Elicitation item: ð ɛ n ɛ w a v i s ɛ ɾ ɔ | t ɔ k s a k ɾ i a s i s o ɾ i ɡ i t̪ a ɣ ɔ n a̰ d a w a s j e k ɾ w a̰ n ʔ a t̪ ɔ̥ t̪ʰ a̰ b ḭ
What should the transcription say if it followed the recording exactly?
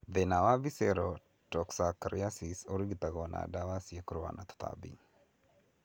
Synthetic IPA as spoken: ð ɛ n a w a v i s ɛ ɾ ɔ | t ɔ k s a k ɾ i a s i s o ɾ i ɡ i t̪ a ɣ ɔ n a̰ d a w a s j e k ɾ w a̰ n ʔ a t̪ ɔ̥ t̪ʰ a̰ b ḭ